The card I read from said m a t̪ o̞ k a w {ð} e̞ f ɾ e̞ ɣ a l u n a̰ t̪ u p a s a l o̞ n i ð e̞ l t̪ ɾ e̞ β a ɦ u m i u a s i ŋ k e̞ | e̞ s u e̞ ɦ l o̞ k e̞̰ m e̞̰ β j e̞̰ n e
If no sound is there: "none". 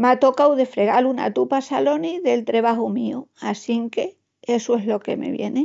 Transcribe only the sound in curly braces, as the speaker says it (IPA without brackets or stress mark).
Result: ð